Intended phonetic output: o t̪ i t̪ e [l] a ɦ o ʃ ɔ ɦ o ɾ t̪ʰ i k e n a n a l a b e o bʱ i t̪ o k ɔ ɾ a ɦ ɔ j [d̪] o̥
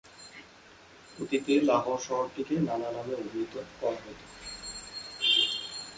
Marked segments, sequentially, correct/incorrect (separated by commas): correct, incorrect